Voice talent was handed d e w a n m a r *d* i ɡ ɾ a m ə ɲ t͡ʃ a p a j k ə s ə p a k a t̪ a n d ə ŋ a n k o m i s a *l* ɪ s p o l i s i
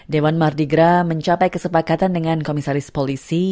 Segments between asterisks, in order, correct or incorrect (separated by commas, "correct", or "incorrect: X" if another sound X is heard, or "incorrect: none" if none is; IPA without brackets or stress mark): correct, incorrect: ɾ